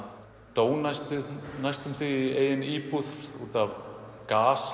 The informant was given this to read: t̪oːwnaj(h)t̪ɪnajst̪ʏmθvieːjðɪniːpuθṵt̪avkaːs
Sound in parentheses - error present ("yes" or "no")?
yes